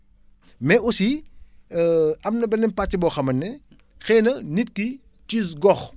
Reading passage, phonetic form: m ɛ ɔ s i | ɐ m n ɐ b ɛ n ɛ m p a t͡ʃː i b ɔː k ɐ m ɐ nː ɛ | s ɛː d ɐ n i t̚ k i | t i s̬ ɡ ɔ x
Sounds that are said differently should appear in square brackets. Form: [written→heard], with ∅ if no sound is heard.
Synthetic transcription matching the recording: m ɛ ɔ s i | ɐ m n ɐ b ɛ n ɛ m p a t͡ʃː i b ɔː [k→x] ɐ m ɐ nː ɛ | [s→x] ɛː [d→n] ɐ n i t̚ k i | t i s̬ ɡ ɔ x